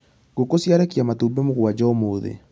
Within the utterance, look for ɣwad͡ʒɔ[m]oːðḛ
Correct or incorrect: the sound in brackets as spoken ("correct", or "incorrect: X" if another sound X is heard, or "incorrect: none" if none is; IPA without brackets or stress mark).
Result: correct